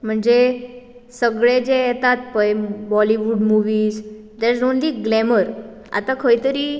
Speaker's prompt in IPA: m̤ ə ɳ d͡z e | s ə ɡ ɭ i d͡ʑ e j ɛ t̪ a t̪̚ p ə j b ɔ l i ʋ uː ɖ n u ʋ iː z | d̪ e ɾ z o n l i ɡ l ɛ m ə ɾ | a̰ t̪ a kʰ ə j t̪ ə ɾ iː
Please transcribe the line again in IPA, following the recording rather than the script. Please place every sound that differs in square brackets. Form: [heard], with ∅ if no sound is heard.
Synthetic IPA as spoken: m̤ ə ɳ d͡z e | s ə ɡ ɭ [e] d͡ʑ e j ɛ t̪ a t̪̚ p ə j b ɔ l i ʋ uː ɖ [m] u ʋ iː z | d̪ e ɾ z o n l i ɡ l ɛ m ə ɾ | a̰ t̪ a kʰ ə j t̪ ə ɾ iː